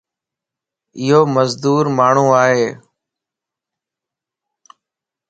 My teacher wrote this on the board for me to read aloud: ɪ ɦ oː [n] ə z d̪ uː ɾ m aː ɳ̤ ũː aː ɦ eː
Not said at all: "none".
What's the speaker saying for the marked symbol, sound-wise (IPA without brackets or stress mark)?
m